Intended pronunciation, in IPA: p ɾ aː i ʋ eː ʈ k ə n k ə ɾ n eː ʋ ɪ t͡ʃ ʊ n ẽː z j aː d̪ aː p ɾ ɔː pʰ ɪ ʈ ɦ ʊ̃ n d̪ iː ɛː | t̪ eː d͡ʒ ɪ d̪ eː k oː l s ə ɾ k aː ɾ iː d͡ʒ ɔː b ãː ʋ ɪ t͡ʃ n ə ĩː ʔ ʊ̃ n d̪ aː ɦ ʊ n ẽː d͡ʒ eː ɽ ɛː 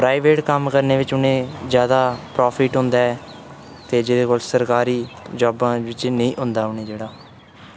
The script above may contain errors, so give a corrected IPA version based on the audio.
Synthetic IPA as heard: p ɾ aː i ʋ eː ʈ k ə m k ə ɾ n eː ʋ ɪ t͡ʃ ʊ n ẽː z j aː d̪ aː p ɾ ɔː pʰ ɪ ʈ ɦ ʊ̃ n d̪ aː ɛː | t̪ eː d͡ʒ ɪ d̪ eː k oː l s ə ɾ k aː ɾ iː d͡ʒ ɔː b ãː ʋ ɪ t͡ʃ n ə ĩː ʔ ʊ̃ n d̪ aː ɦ ʊ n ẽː d͡ʒ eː ɽ aː